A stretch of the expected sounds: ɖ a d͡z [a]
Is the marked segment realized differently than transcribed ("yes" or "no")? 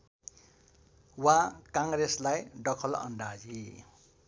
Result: yes